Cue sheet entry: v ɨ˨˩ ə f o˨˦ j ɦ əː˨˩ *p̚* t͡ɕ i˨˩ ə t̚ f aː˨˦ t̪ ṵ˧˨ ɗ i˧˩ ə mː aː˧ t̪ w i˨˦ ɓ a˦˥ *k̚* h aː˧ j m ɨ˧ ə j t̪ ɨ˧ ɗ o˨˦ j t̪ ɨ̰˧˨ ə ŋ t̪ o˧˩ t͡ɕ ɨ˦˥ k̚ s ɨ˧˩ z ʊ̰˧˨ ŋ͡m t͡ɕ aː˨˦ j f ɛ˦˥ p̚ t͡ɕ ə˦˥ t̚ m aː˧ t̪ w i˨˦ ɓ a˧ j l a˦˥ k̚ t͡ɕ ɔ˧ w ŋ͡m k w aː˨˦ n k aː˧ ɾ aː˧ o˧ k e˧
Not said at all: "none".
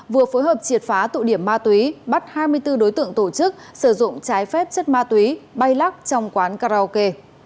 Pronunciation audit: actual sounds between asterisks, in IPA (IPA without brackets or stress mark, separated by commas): p̚, t̚